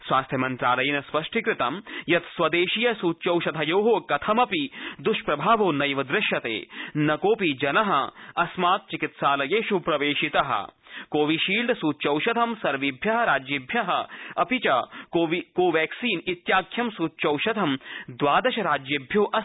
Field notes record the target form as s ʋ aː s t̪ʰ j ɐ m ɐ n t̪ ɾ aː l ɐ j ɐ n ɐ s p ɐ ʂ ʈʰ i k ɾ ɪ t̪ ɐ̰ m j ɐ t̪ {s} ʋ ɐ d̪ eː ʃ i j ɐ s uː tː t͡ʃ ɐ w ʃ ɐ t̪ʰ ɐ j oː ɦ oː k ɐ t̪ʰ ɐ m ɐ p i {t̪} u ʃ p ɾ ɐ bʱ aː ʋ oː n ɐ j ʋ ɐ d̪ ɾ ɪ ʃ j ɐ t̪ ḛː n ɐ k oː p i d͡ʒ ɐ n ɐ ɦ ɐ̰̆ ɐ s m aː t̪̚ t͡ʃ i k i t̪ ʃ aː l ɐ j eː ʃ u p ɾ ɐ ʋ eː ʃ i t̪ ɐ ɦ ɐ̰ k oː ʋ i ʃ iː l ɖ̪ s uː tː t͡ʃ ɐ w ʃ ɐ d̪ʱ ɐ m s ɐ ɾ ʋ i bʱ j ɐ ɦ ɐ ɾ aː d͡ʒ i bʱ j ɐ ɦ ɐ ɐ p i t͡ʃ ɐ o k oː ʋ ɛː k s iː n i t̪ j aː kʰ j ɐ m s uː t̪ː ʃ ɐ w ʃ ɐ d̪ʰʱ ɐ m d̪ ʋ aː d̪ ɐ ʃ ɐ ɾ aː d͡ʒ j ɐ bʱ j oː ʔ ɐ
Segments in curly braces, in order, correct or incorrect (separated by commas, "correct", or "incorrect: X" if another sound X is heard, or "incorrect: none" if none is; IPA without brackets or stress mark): correct, incorrect: d̪